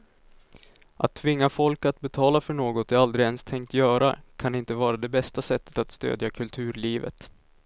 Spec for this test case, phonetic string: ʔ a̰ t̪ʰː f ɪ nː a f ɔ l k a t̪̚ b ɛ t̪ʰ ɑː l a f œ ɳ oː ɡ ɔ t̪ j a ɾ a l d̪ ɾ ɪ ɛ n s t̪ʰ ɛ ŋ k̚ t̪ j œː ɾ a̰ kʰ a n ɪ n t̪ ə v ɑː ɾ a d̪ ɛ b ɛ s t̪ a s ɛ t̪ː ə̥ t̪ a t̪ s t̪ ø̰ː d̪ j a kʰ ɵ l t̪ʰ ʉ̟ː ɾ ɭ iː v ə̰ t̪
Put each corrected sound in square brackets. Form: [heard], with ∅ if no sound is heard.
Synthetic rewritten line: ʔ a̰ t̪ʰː [v] ɪ [ŋː] a f ɔ l k a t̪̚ b ɛ t̪ʰ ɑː l a f œ ɳ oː ɡ ɔ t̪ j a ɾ a l d̪ ɾ ɪ ɛ n s t̪ʰ ɛ ŋ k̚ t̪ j œː ɾ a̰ kʰ a n ɪ n t̪ ə v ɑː ɾ a d̪ ɛ b ɛ s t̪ a s ɛ t̪ː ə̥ t̪ a t̪ s t̪ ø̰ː d̪ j a kʰ ɵ l t̪ʰ ʉ̟ː ɾ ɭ iː v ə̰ t̪